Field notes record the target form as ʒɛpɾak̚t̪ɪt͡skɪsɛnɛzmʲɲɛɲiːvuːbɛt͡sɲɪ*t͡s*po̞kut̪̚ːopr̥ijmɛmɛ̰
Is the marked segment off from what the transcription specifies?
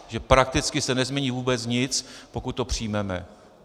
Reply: no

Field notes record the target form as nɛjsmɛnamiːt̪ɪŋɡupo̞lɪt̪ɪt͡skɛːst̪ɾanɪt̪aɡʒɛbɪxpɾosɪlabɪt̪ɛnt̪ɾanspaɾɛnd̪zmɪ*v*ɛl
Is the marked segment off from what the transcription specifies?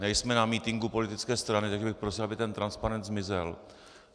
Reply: yes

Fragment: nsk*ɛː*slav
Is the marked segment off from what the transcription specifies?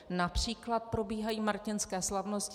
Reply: no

